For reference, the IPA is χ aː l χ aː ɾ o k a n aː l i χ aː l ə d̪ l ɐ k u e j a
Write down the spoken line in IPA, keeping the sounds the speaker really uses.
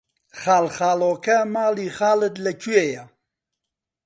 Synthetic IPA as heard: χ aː l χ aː l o k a m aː l i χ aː l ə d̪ l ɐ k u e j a